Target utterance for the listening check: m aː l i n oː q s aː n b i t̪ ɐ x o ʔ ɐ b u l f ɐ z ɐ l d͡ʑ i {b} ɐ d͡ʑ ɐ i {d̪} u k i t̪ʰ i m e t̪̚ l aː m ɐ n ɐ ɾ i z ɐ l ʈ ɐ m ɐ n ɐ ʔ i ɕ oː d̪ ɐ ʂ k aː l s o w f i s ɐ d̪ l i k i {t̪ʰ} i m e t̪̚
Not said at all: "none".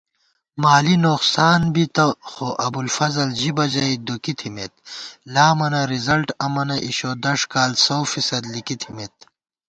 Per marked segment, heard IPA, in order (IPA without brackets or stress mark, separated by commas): b, d̪, t̪ʰ